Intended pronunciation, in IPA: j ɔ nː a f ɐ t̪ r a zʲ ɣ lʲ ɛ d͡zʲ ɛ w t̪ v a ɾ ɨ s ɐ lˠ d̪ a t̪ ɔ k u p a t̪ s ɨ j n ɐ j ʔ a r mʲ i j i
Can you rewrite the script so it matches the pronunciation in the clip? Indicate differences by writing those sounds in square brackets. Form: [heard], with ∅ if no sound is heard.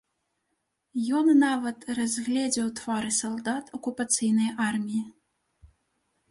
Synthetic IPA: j ɔ nː a [v] ɐ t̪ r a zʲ ɣ lʲ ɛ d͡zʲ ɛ w t̪ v a ɾ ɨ s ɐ lˠ d̪ a t̪ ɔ k u p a t̪ s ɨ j n ɐ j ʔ a r mʲ i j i